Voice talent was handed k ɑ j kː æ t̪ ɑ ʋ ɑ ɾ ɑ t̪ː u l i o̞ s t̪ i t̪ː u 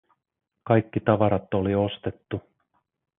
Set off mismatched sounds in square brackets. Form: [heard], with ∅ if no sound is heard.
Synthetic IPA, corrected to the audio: k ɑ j kː [i] t̪ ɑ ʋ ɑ ɾ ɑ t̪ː [o] l i o̞ s t̪ [e] t̪ː u

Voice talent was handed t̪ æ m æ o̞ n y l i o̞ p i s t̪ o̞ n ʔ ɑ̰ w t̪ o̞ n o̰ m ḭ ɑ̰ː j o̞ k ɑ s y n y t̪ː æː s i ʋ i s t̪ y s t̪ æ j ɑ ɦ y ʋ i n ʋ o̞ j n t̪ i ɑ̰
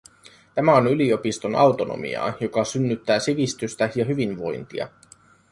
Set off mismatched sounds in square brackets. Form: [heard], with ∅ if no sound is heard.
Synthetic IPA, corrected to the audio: t̪ æ m æ o̞ n y l i o̞ p i s t̪ o̞ n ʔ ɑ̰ w t̪ o̞ n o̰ m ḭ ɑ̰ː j o̞ k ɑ s y [nː] y t̪ː æː s i ʋ i s t̪ y s t̪ æ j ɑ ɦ y ʋ i n ʋ o̞ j n t̪ i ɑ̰

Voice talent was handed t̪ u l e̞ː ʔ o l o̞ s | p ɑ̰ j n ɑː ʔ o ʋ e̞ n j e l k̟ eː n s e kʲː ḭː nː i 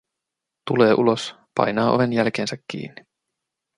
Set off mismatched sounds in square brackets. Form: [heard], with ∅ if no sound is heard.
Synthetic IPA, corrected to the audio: t̪ u l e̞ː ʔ [u] l o̞ s | p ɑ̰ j n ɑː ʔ o ʋ e̞ n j [æ] l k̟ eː n s [æ] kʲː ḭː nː i

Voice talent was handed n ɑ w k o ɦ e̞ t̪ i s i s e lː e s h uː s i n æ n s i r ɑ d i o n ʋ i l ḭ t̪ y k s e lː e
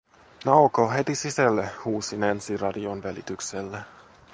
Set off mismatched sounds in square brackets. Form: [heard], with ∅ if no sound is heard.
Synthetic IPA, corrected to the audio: n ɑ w k o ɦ e̞ t̪ i s i s [æ] lː e [∅] h uː s i n æ n s i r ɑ d i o n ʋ [æ] l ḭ t̪ y k s e lː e

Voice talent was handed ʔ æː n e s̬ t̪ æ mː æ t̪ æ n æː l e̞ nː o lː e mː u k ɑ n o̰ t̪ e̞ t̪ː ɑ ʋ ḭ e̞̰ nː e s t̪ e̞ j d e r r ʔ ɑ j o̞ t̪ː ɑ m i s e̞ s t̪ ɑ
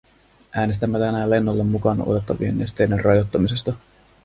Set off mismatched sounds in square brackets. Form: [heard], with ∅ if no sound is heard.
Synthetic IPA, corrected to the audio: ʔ æː n e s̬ t̪ æ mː æ t̪ æ n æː l e̞ nː o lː e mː u k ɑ n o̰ t̪ e̞ t̪ː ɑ ʋ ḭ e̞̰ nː e s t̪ e̞ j d e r r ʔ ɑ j o̞ t̪ː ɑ m i s e̞ s t̪ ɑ

